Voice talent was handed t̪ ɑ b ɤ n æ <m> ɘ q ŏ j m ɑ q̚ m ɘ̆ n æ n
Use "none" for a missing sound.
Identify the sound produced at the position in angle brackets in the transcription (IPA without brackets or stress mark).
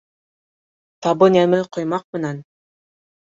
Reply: m